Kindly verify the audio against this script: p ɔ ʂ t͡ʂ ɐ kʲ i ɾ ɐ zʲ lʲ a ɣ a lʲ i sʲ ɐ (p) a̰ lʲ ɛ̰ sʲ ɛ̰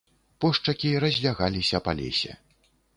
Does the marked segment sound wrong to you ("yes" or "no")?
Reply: no